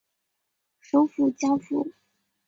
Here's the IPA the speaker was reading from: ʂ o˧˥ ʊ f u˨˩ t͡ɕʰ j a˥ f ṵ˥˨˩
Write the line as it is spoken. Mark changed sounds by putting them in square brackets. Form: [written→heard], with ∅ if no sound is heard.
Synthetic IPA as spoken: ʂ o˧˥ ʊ f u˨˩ [t͡ɕʰ→t͡ɕ] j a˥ f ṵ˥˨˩